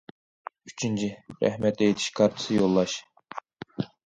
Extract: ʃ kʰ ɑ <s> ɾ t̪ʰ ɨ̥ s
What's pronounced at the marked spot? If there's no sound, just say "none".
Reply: none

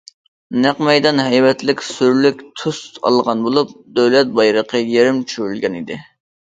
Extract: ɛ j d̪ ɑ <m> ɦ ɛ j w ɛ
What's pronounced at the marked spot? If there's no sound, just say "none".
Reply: n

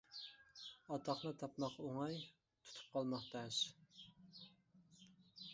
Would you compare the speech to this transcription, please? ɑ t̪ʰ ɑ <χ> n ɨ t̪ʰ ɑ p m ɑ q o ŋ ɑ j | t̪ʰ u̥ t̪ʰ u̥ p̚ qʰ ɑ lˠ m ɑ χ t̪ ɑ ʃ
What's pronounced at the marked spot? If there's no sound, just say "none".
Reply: χ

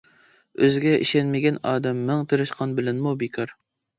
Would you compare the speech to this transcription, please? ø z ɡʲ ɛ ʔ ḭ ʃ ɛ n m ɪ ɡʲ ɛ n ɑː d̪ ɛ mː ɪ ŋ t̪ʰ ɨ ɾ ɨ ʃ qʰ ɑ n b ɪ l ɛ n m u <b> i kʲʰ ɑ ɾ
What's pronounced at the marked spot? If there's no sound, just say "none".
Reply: b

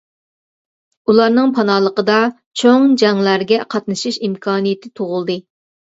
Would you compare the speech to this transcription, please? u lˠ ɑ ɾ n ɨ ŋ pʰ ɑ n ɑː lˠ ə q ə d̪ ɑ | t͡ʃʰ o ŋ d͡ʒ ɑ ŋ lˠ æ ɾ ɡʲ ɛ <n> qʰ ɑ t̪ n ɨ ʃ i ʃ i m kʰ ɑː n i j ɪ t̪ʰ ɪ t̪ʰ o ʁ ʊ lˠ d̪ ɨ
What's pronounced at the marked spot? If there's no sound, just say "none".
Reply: none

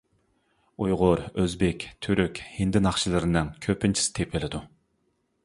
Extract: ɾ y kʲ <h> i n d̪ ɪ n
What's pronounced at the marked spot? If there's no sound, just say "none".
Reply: h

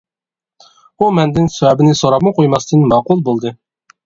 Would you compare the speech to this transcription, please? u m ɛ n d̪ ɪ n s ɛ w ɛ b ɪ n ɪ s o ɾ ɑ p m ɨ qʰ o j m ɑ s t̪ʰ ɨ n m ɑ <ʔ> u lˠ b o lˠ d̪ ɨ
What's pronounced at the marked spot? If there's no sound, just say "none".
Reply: q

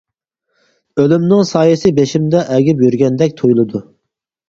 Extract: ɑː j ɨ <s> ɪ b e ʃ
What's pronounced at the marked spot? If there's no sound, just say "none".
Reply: s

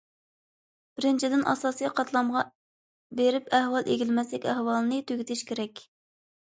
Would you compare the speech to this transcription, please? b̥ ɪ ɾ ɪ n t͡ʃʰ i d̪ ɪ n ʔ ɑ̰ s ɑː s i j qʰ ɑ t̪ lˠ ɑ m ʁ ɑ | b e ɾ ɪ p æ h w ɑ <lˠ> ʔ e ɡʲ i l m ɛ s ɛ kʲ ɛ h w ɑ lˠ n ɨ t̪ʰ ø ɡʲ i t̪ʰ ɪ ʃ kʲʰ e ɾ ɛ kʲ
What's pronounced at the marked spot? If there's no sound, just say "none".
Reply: lˠ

